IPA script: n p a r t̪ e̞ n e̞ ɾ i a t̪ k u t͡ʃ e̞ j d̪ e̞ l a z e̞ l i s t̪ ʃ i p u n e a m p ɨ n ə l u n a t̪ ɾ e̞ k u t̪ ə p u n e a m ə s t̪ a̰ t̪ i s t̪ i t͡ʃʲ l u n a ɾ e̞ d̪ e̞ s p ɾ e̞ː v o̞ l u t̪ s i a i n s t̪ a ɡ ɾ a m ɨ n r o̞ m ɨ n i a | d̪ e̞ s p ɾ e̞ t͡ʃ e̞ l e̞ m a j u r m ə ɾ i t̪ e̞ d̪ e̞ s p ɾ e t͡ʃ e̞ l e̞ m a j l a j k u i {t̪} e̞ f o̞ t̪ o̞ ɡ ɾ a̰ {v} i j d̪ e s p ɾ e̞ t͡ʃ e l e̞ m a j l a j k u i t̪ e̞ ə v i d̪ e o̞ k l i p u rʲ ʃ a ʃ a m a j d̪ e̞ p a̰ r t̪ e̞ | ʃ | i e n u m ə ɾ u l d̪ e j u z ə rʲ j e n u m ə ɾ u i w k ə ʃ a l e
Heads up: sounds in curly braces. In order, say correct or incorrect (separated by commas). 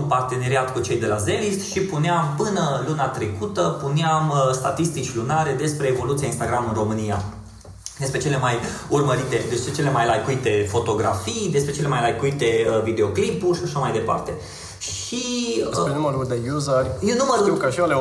correct, incorrect